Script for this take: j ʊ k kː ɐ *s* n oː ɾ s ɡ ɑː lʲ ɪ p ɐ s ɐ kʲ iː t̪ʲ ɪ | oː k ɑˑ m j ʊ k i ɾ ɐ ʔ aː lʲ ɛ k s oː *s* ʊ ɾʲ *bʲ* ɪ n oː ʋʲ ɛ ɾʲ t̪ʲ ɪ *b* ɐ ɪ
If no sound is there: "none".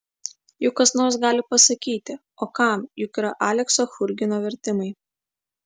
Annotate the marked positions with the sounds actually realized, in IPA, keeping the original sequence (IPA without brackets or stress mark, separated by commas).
s, x, ɡʲ, m